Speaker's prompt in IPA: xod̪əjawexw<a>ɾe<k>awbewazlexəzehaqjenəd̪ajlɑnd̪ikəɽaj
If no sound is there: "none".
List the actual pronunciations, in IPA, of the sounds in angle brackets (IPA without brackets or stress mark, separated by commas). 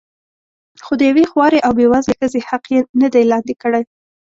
ɑ, ʔ